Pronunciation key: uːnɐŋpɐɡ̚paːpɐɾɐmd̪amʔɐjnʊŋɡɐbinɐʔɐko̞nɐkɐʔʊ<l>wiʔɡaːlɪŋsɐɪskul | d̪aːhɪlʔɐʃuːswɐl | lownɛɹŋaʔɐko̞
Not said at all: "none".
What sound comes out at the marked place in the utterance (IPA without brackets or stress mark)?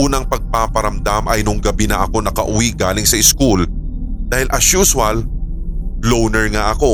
none